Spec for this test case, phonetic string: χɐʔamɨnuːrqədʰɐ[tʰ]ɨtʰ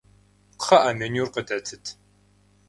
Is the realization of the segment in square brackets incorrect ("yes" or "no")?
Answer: no